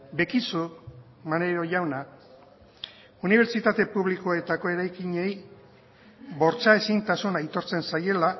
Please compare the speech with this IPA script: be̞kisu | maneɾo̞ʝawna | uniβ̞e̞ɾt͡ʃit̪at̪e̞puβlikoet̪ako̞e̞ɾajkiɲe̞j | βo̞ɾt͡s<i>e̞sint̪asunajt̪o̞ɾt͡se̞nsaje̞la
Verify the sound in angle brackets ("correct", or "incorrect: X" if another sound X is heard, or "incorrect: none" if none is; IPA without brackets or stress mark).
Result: incorrect: a